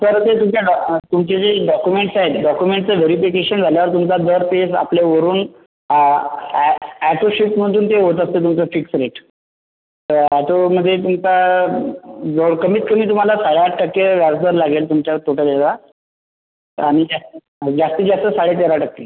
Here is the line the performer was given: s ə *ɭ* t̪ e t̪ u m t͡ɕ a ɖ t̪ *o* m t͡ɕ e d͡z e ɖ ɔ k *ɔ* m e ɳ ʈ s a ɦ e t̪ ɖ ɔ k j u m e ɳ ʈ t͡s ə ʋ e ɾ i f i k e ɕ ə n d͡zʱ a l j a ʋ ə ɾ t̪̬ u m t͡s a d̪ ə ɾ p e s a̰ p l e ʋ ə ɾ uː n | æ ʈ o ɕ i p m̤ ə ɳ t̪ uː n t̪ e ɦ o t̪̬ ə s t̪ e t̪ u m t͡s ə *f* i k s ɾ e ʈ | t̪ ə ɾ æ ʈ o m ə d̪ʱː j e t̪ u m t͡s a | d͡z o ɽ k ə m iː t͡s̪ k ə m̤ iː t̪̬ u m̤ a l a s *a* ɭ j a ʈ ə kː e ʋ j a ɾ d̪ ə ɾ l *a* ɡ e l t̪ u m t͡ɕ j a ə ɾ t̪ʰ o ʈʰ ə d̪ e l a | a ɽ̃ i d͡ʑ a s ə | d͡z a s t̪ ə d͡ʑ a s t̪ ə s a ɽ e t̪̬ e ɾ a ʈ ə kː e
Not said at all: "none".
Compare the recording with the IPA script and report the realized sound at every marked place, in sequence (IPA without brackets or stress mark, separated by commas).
ɾ, u, u, f, a, a